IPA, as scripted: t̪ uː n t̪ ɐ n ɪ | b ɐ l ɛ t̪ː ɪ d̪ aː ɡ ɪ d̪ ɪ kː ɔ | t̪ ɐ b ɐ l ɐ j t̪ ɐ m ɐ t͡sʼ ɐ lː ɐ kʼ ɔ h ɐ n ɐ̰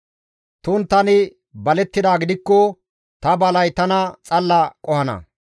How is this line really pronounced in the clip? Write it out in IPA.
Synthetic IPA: t̪ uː n t̪ ɐ n ɪ | b ɐ l ɛ t̪ː ɪ d̪ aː ɡ ɪ d̪ ɪ kː ɔ | t̪ ɐ b ɐ l ɐ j t̪ ɐ n ɐ t͡sʼ ɐ lː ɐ kʼ ɔ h ɐ n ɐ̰